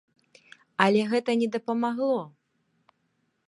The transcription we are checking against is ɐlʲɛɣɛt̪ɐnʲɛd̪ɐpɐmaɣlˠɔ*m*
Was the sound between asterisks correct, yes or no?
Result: no